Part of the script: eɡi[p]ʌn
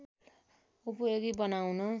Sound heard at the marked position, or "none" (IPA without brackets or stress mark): b